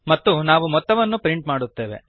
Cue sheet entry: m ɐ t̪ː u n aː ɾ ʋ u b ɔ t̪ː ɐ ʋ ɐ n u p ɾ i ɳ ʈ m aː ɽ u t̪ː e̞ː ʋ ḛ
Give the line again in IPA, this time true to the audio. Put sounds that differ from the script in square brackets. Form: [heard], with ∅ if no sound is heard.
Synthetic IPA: m ɐ t̪ː u n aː [∅] ʋ u [m] ɔ t̪ː ɐ ʋ ɐ [nː] u p ɾ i ɳ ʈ m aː ɽ u t̪ː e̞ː ʋ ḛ